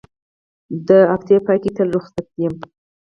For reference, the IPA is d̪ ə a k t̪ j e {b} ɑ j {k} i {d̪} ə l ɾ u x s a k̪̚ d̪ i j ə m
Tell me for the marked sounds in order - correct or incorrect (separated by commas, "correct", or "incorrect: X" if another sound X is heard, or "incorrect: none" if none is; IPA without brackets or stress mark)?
incorrect: p, correct, incorrect: t̪